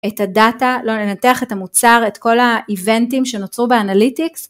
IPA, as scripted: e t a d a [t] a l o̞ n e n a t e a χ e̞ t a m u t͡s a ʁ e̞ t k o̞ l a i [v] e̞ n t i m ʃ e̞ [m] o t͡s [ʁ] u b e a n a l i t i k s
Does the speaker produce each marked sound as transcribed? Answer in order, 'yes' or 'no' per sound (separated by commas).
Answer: yes, yes, no, yes